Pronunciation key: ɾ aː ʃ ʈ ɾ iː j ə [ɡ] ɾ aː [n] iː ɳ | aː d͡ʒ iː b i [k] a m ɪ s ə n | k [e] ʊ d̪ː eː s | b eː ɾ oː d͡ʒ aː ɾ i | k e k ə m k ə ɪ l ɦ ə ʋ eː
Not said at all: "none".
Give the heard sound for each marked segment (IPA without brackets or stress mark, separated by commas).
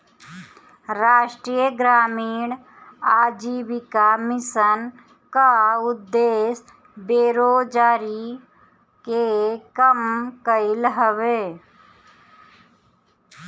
ɡ, m, k, a